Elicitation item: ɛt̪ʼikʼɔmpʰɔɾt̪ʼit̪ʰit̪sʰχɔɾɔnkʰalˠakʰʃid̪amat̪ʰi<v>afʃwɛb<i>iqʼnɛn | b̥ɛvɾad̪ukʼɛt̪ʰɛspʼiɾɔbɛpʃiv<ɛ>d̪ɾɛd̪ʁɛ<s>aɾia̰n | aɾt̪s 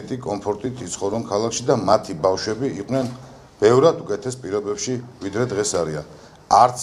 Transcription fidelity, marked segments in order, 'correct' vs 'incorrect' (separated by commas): incorrect, correct, incorrect, correct